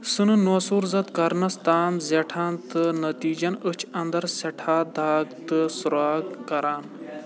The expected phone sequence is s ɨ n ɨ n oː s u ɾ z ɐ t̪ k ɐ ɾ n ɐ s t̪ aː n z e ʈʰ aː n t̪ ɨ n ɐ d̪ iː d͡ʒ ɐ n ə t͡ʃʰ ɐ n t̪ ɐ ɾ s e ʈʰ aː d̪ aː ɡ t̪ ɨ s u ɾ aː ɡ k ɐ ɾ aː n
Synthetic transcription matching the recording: s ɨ n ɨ n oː s u ɾ z ɐ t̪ k ɐ ɾ n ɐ s t̪ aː n z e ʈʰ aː n t̪ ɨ n ɐ t̪ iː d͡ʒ ɐ n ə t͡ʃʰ ɐ n d̪ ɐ ɾ s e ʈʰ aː d̪ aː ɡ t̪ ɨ s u ɾ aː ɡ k ɐ ɾ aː n

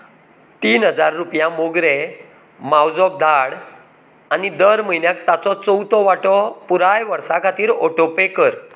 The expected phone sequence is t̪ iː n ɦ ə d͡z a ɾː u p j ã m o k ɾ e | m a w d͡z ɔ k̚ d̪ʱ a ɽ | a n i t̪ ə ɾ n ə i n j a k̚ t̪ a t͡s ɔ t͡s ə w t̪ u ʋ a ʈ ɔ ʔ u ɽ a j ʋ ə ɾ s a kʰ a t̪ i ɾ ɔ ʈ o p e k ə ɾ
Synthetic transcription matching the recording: t̪ iː n ɦ ə d͡z a ɾː u p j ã m o ɡ ɾ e | m a w d͡z ɔ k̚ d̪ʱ a ɽ | a n i d̪ ə ɾ m ə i n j a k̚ t̪ a t͡s ɔ t͡s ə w t̪ ɔ ʋ a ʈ ɔ p u ɾ a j ʋ ə ɾ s a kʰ a t̪ iː ɾ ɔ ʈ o p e k ə ɾ

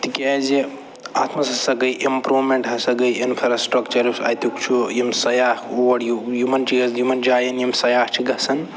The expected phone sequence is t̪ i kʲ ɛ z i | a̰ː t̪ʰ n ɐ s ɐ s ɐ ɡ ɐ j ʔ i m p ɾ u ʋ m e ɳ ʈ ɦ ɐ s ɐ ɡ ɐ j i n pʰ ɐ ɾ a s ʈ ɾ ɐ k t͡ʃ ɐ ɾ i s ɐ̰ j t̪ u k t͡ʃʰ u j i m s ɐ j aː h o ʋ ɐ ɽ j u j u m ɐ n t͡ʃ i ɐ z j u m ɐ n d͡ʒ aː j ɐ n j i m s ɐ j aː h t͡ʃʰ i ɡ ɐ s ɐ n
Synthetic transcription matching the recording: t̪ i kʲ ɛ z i | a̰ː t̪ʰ m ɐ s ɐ s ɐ ɡ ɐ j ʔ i m p ɾ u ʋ m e ɳ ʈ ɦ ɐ s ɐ ɡ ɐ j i n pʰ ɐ ɾ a s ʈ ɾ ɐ k t͡ʃ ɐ ɾ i s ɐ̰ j t̪ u k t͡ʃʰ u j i m s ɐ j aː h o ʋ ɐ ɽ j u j u m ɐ n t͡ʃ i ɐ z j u m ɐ n d͡ʒ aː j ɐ n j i m s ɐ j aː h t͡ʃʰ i ɡ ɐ s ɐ n

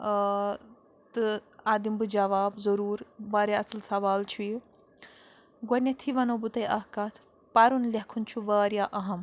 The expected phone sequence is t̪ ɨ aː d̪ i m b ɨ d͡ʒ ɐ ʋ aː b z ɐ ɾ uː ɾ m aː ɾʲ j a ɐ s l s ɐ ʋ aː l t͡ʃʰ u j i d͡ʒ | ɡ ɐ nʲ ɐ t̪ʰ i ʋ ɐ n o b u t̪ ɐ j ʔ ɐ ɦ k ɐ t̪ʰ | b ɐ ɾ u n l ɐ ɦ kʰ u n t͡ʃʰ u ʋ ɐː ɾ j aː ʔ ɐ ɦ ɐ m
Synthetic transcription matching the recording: t̪ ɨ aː d̪ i m b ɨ d͡ʒ ɐ ʋ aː b z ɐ ɾ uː ɾ b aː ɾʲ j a ɐ s l s ɐ ʋ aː l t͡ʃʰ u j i | ɡ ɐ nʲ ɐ t̪ʰ i ʋ ɐ n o b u t̪ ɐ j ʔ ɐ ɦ k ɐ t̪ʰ | p ɐ ɾ u n l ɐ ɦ kʰ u n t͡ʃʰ u ʋ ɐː ɾ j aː ʔ ɐ ɦ ɐ m

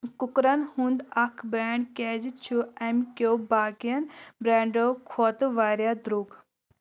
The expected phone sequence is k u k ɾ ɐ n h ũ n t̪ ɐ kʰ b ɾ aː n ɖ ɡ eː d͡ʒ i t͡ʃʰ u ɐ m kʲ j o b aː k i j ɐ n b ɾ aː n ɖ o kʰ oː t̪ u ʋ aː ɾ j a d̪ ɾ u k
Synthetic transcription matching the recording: k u k ɾ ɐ n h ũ n d̪ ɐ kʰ b ɾ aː ɳ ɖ k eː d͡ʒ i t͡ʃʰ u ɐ m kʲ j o b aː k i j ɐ n b ɾ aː ɳ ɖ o kʰ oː t̪ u ʋ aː ɾ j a d̪ ɾ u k

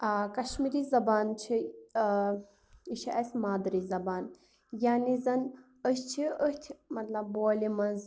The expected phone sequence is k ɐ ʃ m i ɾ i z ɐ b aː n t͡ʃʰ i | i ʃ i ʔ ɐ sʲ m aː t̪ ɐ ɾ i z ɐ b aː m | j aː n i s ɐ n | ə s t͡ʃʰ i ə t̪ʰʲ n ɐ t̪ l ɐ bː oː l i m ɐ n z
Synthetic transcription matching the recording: k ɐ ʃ m i ɾ i z ɐ b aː n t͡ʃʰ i | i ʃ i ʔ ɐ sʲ m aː d̪ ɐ ɾ i z ɐ b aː n | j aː n i z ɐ n | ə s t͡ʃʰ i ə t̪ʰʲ m ɐ t̪ l ɐ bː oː l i m ɐ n z

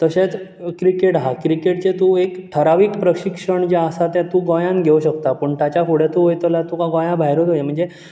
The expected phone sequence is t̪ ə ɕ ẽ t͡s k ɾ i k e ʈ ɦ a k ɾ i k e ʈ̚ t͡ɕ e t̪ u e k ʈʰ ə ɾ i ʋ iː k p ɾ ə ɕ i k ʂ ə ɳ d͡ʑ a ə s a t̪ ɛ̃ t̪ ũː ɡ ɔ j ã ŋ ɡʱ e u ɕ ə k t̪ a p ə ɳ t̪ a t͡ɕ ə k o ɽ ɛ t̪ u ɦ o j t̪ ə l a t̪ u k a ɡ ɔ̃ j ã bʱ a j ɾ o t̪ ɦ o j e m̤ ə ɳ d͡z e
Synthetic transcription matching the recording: t̪ ə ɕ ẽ t͡s k ɾ i k e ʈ ɦ a k ɾ i k e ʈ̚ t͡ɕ e t̪ u e k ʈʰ ə ɾ a ʋ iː k p ɾ ə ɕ i k ʂ ə ɳ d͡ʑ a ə s a t̪ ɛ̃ t̪ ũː ɡ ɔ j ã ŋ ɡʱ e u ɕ ə k t̪ a p ə ɳ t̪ a t͡ɕ a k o ɽ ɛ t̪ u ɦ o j t̪ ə l a t̪ u k a ɡ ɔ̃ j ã bʱ a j ɾ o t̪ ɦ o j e m̤ ə ɳ d͡z e

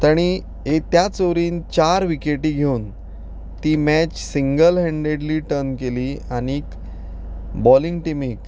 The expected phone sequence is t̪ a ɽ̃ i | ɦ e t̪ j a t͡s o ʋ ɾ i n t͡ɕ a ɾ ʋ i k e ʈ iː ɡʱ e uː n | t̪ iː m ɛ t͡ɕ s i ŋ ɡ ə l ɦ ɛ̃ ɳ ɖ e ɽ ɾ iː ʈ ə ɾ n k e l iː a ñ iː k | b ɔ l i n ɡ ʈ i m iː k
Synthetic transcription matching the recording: t̪ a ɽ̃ i | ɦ e t̪ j a t͡s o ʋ ɾ iː n t͡ɕ a ɾ ʋ i k e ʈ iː ɡʱ e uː n | t̪ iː m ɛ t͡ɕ s i ŋ ɡ ə l ɦ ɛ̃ ɳ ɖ e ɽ l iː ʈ ə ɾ n k e l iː a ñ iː k | b ɔ l i ŋ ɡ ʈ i m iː k

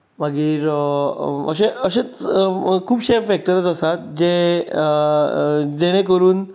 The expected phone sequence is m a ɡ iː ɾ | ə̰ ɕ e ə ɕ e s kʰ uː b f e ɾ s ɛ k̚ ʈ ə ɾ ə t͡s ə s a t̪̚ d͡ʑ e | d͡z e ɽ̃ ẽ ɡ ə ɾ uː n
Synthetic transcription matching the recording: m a ɡ iː ɾ | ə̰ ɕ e ə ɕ e t͡s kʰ uː b ɕ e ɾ f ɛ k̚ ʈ ə ɾ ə t͡s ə s a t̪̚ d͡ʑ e | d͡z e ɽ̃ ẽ k ə ɾ uː n

